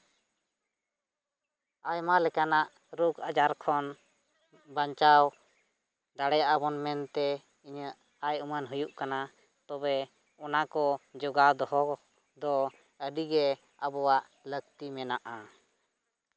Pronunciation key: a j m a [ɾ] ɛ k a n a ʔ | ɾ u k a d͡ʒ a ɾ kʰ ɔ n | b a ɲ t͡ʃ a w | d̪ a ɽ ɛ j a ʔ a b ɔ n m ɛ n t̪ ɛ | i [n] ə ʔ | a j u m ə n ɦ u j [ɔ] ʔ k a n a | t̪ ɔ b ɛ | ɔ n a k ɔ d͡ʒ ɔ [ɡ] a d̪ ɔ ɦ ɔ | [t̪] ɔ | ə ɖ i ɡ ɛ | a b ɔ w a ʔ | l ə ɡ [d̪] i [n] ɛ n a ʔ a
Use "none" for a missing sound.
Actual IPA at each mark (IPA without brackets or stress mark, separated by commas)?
l, ɲ, u, ɡ, d̪, t̪, m